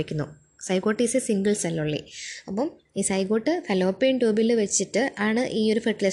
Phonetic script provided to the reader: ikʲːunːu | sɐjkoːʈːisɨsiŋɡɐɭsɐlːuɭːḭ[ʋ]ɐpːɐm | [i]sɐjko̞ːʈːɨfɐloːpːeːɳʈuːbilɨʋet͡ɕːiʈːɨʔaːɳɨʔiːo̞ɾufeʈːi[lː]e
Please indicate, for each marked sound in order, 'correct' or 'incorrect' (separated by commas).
incorrect, incorrect, incorrect